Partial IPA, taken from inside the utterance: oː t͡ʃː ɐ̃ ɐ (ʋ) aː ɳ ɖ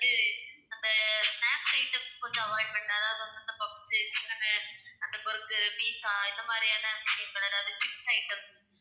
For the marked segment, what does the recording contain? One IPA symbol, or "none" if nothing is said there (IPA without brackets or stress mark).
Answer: ʋ